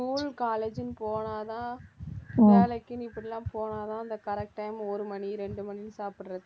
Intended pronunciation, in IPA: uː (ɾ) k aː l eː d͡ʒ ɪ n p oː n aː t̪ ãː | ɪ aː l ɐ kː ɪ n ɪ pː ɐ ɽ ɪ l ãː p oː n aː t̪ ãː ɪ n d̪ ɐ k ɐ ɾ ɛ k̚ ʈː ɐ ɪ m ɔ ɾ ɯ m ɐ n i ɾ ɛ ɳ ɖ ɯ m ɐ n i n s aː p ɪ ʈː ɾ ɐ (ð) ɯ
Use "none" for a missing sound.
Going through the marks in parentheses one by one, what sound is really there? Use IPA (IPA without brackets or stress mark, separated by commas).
l, ð